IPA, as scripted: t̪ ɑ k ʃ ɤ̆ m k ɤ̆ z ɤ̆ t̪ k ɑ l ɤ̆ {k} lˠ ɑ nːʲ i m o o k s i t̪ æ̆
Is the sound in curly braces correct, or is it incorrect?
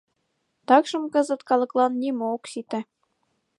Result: correct